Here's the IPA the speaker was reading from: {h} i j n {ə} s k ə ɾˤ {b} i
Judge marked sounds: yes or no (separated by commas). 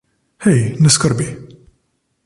yes, yes, yes